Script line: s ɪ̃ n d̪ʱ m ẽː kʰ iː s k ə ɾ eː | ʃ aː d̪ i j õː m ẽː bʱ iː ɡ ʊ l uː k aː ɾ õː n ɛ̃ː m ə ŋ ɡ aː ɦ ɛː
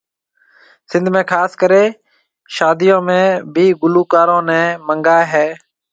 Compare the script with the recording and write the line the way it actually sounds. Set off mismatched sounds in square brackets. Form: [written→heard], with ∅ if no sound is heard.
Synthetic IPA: s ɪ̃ n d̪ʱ m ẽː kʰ [iː→aː] s k ə ɾ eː | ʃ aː d̪ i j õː m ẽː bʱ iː ɡ ʊ l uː k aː ɾ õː n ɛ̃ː m ə ŋ ɡ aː ɦ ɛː